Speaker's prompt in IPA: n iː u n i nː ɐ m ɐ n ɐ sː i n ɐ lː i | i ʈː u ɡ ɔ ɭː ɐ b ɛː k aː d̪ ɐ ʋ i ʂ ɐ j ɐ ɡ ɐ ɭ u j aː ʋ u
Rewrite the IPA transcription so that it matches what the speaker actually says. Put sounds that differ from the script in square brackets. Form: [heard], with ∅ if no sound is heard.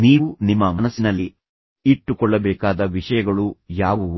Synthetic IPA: n iː u n i [mː] ɐ m ɐ n ɐ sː i n ɐ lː i | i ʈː u [k] ɔ ɭː ɐ b ɛː k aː d̪ ɐ ʋ i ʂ ɐ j ɐ ɡ ɐ ɭ u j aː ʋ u